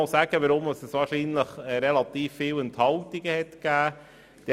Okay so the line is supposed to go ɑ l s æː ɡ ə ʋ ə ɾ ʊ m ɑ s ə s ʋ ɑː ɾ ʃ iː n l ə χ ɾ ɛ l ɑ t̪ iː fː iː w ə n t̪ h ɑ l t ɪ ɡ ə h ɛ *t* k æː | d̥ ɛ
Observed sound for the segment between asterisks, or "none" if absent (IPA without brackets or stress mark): t